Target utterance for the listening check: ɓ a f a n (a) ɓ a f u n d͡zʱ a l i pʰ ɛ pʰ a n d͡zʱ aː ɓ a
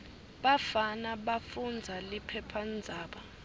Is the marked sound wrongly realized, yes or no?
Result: no